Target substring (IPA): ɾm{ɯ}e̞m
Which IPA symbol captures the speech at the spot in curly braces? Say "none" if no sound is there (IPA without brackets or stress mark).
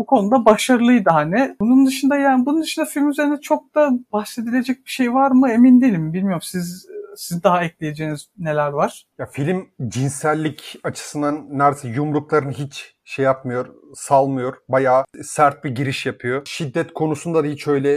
ɯ